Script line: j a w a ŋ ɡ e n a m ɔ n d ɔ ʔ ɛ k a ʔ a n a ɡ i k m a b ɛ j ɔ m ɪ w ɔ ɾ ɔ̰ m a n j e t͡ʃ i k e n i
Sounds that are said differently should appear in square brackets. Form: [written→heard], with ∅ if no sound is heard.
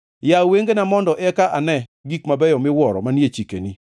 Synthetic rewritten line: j a w [a→e] ŋ ɡ e n a m ɔ n d ɔ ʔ ɛ k a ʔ a n [a→ɛ] ɡ i k m a b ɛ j ɔ m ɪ w ɔ ɾ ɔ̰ m a n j e t͡ʃ i k e n i